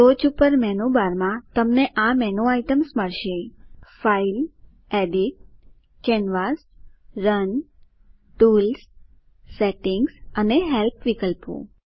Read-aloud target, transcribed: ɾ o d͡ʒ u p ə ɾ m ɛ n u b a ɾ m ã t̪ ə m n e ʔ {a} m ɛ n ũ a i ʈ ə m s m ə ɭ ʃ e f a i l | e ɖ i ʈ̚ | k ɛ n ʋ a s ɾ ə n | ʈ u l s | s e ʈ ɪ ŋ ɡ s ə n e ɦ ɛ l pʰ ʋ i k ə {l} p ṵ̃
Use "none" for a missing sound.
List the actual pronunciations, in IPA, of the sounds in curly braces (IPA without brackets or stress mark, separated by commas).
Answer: a, l